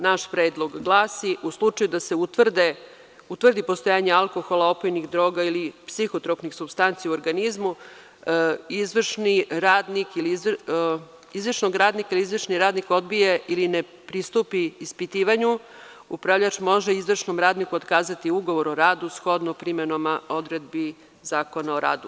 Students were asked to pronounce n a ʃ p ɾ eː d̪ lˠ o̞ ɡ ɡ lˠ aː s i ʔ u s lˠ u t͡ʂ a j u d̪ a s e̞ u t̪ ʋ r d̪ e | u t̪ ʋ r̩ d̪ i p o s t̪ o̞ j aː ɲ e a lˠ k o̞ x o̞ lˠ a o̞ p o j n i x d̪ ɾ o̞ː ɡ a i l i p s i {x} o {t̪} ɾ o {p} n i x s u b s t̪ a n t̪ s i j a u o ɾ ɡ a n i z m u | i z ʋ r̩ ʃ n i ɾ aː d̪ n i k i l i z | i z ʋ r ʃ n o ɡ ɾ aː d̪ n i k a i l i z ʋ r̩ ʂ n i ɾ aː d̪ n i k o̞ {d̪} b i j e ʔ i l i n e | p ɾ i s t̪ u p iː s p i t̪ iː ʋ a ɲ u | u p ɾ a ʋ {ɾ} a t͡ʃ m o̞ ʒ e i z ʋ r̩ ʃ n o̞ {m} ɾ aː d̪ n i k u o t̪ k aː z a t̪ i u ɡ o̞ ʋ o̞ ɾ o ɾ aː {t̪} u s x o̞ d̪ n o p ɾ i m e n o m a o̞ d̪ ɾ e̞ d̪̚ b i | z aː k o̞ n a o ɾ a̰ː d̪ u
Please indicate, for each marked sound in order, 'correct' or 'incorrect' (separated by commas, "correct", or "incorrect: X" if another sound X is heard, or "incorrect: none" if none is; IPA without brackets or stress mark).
correct, correct, correct, correct, incorrect: ʎ, correct, incorrect: d̪